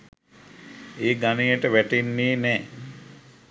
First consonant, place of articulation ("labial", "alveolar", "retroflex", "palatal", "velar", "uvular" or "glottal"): velar